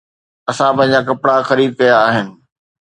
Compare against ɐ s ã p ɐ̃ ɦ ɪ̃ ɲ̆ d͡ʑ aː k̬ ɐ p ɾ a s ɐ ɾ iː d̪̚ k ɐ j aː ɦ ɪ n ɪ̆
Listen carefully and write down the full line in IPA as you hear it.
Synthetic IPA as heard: ɐ s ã p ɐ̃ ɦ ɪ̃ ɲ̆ d͡ʑ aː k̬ ɐ p ɽ a x ɐ ɾ iː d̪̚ k ɐ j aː ɦ ɪ n ɪ̆